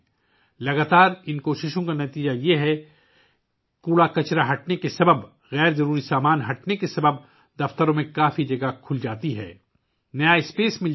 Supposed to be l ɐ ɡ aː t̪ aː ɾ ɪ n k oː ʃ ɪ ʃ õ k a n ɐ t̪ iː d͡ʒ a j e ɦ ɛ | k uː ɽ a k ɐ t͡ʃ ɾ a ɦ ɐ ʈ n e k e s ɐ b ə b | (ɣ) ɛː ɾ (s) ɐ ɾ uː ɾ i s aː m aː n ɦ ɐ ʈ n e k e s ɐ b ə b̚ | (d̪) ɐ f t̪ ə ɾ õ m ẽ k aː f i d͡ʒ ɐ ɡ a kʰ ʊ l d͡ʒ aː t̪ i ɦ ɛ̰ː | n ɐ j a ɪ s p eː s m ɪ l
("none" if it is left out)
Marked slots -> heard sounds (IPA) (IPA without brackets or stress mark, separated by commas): ɣ, z, d̪